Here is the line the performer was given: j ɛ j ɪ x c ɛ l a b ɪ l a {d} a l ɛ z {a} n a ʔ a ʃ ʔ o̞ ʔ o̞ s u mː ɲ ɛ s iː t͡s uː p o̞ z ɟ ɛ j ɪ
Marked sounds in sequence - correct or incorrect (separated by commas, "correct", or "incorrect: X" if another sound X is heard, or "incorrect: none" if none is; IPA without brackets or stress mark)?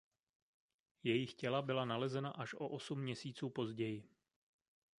incorrect: n, incorrect: ɛ